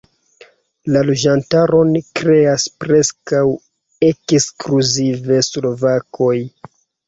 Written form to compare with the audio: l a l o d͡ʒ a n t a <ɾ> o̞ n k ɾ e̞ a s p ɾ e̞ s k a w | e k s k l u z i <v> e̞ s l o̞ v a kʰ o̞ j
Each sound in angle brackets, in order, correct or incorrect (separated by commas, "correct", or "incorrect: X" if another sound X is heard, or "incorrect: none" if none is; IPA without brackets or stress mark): correct, correct